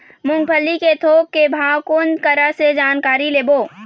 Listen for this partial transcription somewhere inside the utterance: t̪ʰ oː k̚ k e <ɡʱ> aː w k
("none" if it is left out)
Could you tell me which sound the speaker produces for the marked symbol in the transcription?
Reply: bʱ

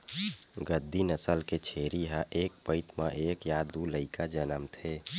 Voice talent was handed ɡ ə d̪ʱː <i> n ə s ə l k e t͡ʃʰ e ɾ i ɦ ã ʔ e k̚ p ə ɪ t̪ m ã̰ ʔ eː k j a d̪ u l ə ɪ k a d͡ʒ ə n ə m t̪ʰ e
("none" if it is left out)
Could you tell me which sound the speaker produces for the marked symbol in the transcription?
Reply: i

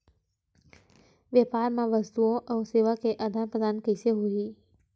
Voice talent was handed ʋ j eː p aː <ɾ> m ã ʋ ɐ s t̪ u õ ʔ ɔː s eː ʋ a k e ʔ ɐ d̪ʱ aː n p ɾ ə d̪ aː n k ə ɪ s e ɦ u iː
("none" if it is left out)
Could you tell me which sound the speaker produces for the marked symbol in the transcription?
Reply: ɾ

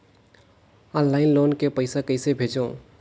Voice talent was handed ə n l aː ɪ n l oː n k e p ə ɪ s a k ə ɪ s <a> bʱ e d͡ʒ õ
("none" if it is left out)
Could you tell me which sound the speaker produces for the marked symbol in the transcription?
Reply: e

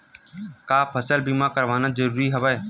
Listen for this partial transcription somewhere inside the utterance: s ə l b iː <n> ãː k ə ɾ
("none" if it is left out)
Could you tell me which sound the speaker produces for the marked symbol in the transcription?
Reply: m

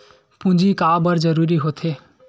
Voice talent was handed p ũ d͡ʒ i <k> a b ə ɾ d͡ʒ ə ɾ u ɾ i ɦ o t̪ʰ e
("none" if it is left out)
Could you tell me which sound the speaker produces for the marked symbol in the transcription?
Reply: k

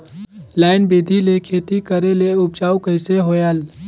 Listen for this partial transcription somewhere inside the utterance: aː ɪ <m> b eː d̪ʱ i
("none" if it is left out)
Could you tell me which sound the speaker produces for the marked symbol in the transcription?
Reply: n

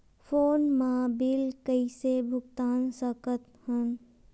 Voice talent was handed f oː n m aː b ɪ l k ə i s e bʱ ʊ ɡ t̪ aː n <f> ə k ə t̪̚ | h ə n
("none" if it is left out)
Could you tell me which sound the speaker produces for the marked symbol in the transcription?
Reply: s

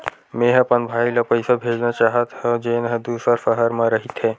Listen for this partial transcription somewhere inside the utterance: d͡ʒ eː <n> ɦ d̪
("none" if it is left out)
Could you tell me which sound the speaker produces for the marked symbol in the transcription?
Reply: n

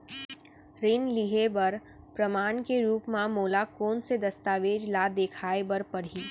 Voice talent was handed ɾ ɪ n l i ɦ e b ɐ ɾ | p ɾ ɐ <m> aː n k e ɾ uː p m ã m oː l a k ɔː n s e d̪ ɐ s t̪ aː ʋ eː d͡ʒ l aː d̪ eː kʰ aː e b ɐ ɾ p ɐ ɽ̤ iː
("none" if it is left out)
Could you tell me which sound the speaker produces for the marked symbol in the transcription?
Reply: m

